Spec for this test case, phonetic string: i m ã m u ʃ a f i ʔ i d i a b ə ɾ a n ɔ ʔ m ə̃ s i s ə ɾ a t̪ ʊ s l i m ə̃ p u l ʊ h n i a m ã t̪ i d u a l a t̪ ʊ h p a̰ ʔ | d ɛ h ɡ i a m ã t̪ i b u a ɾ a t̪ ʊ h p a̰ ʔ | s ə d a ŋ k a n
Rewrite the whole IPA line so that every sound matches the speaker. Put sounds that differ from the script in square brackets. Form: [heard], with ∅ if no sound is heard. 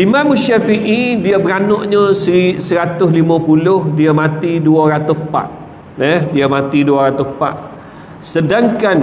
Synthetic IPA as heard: i m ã m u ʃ a f i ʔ i d i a b ə ɾ a n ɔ ʔ [ɲ] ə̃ s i s ə ɾ a t̪ ʊ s l i m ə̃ p u l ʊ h [d] i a m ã t̪ i d u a [ɾ] a t̪ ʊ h p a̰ ʔ | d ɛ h [d] i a m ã t̪ i [d] u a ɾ a t̪ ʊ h p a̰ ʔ | s ə d a ŋ k a n